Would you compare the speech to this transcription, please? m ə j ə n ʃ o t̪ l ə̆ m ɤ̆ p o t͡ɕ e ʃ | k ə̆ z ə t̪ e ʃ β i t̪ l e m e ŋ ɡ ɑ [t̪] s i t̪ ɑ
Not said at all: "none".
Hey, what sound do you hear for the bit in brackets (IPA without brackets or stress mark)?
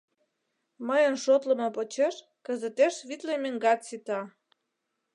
t̪